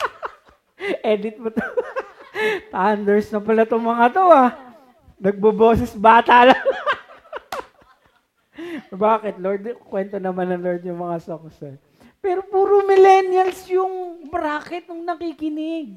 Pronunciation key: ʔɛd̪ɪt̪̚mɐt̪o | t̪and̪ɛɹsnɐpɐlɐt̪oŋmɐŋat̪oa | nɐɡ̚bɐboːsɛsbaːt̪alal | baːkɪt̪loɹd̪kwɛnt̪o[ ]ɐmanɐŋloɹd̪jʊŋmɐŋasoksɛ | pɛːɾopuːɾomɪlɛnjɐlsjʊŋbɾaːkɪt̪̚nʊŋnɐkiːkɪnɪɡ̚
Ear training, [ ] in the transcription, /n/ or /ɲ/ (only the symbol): n